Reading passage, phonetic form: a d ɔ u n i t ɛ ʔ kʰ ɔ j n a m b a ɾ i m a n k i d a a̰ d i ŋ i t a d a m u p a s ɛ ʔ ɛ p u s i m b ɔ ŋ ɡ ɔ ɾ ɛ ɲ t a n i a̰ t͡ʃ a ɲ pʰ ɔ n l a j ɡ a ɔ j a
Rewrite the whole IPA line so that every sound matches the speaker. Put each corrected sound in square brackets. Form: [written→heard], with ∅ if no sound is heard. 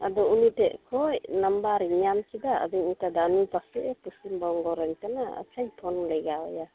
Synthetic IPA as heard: a d ɔ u n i t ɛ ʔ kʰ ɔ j n a m b a ɾ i [m→ɲ] a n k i d a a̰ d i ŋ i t a d a [m→n] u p a s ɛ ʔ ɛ p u s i m b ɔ ŋ ɡ ɔ ɾ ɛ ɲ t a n [i→a] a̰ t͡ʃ a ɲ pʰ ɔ n l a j ɡ a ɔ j a